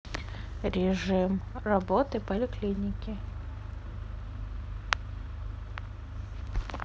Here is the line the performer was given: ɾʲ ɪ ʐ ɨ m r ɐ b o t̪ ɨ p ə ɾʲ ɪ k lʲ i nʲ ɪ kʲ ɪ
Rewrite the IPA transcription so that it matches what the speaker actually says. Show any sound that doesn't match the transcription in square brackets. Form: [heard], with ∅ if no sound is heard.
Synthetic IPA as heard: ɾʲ ɪ ʐ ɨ m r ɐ b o t̪ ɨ p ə [lʲ] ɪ k lʲ i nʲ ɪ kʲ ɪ